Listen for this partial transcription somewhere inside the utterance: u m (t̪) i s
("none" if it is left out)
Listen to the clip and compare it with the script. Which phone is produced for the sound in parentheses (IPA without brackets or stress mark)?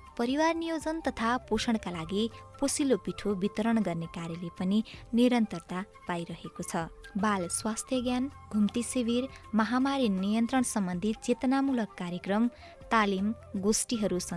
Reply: t̪